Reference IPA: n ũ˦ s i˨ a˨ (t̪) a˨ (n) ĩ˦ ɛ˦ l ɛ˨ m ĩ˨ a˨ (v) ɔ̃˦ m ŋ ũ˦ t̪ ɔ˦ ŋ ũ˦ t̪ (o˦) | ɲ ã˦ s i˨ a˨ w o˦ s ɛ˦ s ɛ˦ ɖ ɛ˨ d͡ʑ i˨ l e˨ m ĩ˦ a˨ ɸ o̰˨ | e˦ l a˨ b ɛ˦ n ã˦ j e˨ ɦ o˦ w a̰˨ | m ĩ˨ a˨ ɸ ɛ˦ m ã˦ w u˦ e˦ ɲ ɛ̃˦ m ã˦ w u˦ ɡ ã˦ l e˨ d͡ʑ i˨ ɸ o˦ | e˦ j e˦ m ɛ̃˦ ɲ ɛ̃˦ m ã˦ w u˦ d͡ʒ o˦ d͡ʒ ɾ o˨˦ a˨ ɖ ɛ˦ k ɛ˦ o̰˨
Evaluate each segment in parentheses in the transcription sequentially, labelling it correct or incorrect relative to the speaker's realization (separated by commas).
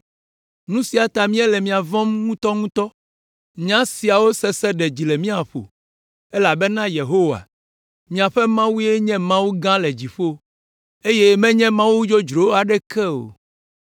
correct, incorrect, correct, incorrect